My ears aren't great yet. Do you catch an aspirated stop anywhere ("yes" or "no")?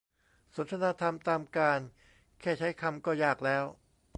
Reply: yes